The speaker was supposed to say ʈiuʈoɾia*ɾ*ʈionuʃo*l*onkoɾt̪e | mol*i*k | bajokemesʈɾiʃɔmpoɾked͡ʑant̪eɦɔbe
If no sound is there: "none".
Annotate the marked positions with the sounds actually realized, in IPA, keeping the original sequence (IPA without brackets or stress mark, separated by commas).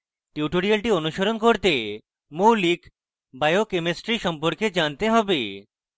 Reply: l, ɾ, i